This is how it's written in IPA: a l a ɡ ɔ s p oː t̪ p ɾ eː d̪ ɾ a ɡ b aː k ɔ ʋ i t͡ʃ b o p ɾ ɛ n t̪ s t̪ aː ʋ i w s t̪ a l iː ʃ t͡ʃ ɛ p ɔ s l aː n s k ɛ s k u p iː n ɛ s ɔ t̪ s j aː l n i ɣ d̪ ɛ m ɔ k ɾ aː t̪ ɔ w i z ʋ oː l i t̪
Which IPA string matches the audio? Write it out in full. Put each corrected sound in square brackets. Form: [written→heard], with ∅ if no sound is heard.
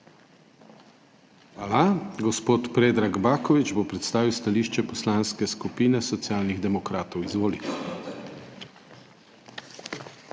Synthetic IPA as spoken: a l a ɡ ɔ s p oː t̪ p ɾ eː d̪ ɾ a ɡ b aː k ɔ ʋ i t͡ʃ b o p ɾ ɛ [n→∅] t̪ s t̪ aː ʋ i w s t̪ a l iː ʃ t͡ʃ ɛ p ɔ s l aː n s k ɛ s k u p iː n ɛ s ɔ t̪ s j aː l n i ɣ d̪ ɛ m ɔ k ɾ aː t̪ ɔ w i z ʋ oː l i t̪